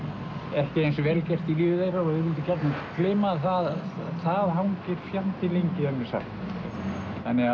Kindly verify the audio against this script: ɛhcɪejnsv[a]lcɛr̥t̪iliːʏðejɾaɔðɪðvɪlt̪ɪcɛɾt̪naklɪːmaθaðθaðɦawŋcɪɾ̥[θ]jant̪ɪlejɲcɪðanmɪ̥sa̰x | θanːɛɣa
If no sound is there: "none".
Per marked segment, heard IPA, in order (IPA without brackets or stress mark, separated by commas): ɛ, f